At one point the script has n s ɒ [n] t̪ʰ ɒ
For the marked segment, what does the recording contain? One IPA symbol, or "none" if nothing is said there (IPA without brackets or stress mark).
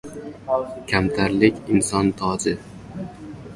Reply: n